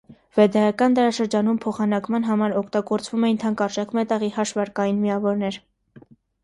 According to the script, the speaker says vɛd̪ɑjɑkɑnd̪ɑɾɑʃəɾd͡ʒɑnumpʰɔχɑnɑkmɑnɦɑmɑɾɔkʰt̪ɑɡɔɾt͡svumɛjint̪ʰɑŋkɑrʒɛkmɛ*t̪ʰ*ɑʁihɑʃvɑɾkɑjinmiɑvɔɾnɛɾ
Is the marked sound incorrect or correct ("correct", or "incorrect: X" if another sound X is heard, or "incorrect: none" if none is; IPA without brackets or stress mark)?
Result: incorrect: t̪